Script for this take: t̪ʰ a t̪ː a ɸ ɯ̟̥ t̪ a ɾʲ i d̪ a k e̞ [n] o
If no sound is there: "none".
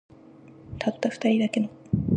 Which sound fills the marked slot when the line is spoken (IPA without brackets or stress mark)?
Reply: n